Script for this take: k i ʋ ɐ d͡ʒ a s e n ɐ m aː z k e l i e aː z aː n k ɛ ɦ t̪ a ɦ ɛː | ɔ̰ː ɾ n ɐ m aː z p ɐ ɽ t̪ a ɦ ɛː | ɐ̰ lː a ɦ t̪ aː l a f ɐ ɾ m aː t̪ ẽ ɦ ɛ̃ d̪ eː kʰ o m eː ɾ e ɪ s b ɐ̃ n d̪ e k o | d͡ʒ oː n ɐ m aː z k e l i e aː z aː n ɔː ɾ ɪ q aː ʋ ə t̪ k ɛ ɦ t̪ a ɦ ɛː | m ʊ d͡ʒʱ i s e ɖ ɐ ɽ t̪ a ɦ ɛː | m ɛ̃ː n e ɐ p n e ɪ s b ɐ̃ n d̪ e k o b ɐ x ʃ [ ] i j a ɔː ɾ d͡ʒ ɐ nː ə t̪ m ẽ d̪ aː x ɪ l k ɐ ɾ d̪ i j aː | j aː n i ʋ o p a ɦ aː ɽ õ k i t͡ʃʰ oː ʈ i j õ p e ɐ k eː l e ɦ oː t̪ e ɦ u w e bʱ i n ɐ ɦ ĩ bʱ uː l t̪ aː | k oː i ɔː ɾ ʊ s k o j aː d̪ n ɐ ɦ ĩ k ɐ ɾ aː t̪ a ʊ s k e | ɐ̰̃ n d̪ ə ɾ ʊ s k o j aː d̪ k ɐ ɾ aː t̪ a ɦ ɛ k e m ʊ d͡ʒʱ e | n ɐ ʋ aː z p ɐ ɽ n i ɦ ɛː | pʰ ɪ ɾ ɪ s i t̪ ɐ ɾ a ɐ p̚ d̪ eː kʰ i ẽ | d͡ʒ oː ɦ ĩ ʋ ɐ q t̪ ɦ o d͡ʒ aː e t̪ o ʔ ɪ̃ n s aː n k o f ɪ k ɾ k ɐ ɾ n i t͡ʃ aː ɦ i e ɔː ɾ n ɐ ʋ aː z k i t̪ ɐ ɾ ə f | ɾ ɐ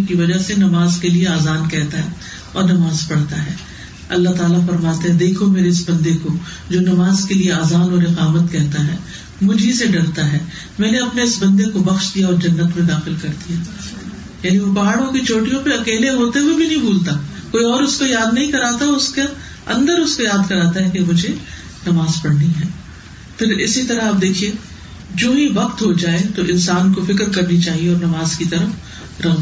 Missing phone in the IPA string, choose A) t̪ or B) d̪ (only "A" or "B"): B